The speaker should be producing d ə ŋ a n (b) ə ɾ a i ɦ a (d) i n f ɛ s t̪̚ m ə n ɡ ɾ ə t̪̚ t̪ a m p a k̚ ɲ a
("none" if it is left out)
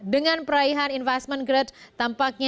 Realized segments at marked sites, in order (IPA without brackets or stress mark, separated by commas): p, n